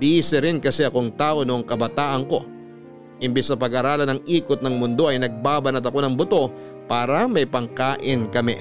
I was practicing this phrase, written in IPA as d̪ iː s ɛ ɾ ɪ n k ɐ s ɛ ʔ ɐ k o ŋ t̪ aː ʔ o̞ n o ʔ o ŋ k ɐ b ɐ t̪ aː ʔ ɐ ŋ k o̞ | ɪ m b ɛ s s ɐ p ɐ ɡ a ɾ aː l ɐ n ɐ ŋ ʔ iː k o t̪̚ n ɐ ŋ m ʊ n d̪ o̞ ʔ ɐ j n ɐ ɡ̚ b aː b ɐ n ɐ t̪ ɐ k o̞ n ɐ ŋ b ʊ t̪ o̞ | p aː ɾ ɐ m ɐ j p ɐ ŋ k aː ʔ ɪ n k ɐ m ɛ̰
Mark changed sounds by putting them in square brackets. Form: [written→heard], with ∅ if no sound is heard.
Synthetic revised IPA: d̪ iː s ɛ ɾ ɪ n k ɐ s ɛ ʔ ɐ k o ŋ t̪ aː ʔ o̞ n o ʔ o ŋ k ɐ b ɐ t̪ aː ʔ ɐ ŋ k o̞ | ɪ m b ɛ s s ɐ p ɐ ɡ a ɾ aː l ɐ n ɐ ŋ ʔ iː k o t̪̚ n ɐ ŋ m ʊ n d̪ o̞ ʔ ɐ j n ɐ ɡ̚ b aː b ɐ n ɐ t̪ ɐ k o̞ n ɐ ŋ b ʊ t̪ o̞ | p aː ɾ ɐ m ɐ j p ɐ ŋ k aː ʔ ɪ n k ɐ m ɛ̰